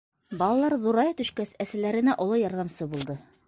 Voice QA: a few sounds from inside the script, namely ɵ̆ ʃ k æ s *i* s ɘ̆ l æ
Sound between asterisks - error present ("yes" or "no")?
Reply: yes